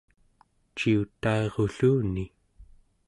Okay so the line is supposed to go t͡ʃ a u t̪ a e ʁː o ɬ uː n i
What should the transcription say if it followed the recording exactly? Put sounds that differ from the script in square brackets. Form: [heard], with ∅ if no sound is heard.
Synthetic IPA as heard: t͡ʃ [i] u t̪ a e [ʁ] o ɬ uː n i